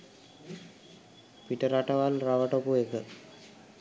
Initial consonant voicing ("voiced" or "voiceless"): voiceless